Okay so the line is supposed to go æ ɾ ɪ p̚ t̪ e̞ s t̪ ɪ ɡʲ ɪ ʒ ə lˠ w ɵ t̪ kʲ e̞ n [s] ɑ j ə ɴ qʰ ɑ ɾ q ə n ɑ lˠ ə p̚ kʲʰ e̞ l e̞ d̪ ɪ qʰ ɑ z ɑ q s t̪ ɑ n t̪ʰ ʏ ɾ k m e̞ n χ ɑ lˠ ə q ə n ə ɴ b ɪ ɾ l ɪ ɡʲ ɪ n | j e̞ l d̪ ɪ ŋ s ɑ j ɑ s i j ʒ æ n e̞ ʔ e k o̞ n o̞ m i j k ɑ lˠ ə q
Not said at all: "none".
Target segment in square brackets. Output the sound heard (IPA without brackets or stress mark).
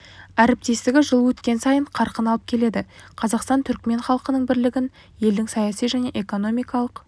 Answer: s